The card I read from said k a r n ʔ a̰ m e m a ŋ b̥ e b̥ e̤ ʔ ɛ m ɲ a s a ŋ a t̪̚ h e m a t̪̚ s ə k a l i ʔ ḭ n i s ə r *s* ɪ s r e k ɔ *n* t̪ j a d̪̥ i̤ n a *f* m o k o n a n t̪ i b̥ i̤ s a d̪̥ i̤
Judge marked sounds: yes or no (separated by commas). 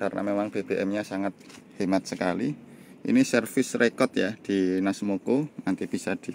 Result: no, no, no